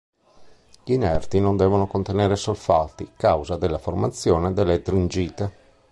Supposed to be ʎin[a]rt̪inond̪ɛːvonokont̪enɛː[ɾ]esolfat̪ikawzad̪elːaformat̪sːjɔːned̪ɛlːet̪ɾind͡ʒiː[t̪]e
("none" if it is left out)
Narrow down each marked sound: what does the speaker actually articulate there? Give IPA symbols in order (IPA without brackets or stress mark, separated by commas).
ɛ, ɾ, t̪